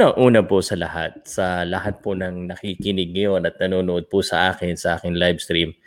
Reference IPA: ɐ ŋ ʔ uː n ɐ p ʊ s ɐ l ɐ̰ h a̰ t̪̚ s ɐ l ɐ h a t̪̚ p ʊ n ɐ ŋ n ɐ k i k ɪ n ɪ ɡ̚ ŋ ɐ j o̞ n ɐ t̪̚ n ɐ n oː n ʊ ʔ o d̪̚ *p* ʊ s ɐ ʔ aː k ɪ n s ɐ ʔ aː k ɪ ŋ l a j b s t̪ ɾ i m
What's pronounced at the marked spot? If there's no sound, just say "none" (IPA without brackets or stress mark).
p